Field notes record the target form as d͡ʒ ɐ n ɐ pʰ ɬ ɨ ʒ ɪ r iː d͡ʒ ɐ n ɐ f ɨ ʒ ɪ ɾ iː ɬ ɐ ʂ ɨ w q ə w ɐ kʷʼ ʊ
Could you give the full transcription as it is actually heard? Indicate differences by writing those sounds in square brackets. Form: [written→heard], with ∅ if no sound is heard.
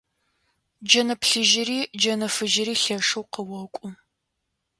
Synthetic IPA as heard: d͡ʒ ɐ n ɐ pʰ ɬ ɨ ʒ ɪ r iː d͡ʒ ɐ n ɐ f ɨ ʒ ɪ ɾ iː ɬ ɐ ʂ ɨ w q ə w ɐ kʷʼ ʊ